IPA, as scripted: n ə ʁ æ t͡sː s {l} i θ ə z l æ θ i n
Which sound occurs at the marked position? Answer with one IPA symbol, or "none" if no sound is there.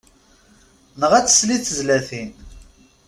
l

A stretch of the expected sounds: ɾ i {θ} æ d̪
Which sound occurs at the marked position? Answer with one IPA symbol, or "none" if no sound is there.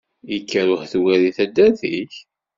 θ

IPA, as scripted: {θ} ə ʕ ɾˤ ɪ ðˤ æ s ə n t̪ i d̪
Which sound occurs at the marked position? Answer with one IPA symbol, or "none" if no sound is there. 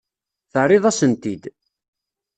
θ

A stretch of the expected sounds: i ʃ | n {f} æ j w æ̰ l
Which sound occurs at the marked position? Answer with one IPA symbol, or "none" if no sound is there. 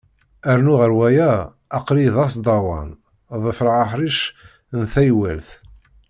θ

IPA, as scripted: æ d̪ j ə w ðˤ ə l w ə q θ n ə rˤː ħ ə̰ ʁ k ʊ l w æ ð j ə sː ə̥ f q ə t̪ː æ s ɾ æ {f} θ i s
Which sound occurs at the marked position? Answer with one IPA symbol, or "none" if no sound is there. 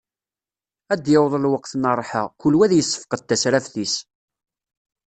f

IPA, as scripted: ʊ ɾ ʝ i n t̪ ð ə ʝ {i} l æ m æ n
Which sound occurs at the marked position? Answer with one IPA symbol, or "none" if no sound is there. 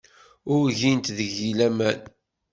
i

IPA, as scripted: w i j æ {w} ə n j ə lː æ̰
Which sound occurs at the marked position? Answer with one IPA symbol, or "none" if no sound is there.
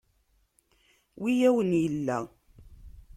w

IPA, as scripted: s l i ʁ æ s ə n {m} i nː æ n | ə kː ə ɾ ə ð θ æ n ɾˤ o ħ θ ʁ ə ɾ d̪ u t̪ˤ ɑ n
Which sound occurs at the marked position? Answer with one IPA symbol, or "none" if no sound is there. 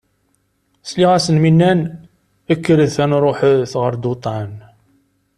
m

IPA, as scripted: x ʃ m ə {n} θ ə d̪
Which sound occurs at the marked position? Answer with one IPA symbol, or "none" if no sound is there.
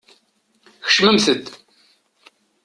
m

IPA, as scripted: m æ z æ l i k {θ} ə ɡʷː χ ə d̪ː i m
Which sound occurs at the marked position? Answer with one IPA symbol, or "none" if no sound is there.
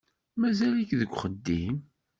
ð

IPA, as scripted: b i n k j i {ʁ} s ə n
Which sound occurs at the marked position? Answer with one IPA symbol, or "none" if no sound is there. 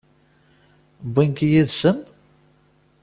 ð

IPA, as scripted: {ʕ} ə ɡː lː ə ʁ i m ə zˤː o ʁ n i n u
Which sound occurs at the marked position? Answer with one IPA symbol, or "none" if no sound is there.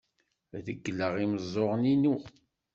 ð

